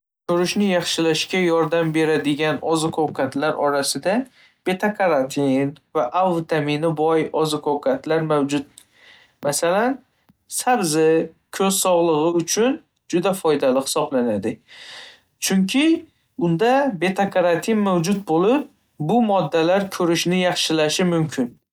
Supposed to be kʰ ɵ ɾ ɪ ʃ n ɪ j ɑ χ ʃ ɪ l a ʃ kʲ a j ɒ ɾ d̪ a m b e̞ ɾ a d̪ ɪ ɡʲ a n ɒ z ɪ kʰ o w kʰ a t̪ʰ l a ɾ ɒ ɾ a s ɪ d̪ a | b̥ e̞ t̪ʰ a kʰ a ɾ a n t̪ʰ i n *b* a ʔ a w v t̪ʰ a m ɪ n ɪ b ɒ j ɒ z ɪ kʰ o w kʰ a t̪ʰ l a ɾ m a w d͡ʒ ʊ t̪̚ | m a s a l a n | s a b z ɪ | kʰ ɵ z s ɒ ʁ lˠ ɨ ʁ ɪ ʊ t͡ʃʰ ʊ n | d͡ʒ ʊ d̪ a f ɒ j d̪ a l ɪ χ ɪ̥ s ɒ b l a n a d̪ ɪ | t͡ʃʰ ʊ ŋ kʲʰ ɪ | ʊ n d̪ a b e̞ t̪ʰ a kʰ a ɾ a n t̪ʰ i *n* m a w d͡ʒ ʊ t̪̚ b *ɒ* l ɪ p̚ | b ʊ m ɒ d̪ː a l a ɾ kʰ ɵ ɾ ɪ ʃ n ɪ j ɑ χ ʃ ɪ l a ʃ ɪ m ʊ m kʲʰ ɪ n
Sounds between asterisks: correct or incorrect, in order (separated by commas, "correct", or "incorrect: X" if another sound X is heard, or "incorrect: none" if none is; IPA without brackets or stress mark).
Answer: incorrect: v, correct, incorrect: o